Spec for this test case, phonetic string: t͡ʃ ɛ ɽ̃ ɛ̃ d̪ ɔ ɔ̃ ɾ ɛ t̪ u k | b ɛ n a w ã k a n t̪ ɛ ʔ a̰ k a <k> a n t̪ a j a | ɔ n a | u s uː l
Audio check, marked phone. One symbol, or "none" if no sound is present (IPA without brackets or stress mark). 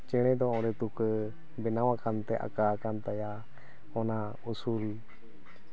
k